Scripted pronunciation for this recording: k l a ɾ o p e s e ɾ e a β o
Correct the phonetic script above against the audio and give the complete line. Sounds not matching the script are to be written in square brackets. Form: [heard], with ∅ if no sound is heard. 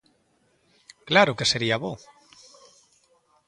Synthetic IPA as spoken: k l a ɾ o [k] e s e ɾ [i] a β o